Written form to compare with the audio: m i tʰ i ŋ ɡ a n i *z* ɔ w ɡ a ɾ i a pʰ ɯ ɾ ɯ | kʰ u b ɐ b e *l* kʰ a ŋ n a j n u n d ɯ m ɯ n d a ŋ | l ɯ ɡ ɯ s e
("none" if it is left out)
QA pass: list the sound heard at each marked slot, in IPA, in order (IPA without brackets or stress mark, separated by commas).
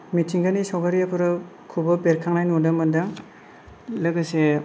s, ɾ